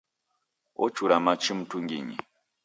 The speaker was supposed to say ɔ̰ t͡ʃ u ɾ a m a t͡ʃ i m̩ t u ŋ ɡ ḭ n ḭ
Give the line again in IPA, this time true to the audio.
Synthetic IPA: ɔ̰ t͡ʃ u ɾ a m a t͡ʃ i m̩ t u ŋ ɡ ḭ ɲ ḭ